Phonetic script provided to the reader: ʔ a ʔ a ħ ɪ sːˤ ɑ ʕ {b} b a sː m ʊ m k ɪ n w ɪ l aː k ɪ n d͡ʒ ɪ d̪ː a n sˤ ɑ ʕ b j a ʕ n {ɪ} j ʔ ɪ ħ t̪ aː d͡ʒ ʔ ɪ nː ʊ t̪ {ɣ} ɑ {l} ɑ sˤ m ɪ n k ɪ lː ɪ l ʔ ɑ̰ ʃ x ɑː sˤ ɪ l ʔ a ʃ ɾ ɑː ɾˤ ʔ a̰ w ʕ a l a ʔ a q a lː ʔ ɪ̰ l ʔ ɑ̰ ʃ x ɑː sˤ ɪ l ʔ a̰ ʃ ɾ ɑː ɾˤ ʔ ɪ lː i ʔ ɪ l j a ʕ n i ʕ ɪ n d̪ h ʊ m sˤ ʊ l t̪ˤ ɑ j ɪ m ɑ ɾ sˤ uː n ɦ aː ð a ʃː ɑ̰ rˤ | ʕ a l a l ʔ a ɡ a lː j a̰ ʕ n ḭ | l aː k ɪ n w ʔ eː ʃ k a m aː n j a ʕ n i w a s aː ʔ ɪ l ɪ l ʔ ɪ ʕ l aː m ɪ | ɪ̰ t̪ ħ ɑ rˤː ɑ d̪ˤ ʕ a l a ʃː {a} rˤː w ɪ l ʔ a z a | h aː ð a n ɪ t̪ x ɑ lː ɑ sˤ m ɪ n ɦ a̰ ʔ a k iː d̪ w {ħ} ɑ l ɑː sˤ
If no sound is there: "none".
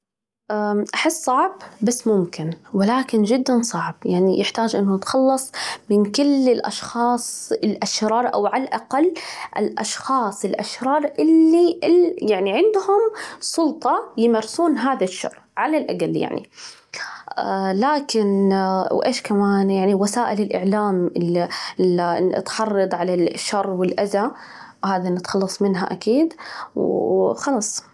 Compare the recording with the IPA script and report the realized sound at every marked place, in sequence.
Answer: b, i, x, lː, ɑ, x

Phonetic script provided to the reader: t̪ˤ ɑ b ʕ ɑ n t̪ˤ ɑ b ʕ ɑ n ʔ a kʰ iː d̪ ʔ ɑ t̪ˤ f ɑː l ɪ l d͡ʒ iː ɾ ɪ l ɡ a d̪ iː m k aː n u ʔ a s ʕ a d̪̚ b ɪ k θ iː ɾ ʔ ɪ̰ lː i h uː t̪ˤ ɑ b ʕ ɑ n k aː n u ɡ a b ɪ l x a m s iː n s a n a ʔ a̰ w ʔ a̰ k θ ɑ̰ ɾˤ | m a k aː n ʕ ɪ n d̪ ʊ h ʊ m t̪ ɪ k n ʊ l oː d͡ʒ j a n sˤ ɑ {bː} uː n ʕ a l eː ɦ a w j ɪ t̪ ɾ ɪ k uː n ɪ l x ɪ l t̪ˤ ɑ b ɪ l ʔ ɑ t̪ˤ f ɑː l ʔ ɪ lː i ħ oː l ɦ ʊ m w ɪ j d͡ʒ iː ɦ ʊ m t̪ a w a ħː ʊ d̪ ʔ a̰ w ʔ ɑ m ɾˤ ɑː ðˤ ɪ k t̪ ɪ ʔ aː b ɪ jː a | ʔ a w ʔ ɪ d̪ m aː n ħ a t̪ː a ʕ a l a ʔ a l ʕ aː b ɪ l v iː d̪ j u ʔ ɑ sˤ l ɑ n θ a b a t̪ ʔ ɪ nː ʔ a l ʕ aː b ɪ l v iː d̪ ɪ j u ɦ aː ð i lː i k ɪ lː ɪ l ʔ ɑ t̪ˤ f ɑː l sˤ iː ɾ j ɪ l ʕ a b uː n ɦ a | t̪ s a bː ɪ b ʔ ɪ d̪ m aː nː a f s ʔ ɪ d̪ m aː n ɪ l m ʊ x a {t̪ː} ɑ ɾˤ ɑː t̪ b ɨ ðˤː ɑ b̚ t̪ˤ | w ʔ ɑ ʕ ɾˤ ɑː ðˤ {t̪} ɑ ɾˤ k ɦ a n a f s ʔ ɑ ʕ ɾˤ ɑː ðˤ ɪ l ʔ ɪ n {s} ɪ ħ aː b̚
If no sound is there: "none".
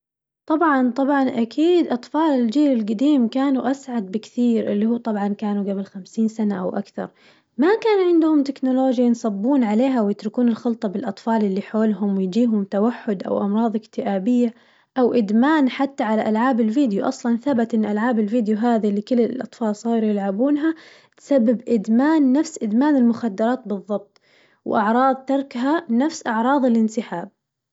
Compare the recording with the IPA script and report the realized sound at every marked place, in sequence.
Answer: bː, d̪ː, t̪, s

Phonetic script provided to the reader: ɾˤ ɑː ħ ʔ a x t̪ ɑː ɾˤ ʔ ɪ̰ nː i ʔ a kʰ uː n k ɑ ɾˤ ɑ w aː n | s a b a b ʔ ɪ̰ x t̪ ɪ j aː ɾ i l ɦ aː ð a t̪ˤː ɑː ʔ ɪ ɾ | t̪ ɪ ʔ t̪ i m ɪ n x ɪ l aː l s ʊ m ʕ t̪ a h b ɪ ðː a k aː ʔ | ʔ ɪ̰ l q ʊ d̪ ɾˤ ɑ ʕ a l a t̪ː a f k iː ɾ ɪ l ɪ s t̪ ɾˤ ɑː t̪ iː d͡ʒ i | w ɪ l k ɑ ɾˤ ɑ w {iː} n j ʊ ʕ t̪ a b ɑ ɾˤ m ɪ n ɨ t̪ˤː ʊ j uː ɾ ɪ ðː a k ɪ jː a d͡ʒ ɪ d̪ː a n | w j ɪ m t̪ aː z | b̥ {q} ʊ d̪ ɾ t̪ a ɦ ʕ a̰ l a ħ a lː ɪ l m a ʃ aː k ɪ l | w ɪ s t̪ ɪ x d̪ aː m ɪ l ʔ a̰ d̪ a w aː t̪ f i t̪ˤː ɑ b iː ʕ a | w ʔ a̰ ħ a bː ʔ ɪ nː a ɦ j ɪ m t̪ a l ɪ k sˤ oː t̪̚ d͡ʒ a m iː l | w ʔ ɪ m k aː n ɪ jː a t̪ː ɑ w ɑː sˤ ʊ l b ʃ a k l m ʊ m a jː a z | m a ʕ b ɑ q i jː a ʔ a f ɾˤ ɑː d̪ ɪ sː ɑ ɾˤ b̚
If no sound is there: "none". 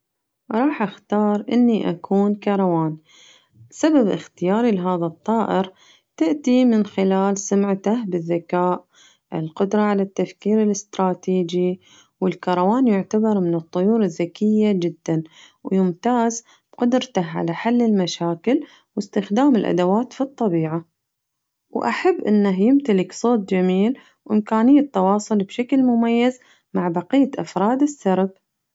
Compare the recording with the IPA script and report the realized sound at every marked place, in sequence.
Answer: aː, q

